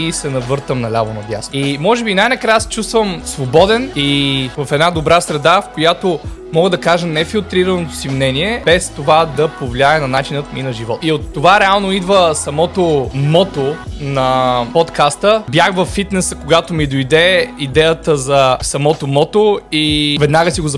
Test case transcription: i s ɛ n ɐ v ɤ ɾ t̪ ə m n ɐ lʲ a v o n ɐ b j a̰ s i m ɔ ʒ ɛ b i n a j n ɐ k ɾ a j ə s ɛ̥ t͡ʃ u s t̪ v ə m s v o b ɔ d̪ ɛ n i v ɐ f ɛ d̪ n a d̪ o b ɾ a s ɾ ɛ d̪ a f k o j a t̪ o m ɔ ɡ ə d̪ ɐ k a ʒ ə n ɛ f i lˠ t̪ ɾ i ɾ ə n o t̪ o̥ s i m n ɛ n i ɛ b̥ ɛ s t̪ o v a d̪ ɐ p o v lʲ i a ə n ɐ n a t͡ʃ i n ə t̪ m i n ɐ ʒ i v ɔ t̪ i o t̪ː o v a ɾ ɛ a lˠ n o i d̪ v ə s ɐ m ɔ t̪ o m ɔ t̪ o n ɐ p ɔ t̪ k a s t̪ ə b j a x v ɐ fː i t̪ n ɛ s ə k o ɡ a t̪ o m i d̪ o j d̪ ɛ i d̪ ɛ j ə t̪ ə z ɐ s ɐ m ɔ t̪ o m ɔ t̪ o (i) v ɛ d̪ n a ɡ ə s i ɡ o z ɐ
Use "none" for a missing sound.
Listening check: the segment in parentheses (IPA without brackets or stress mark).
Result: i